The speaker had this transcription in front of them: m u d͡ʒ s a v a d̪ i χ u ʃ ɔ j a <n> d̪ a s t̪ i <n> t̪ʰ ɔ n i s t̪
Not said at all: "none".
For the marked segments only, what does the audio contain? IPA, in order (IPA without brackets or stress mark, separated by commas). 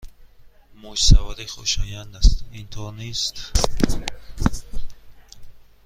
n, n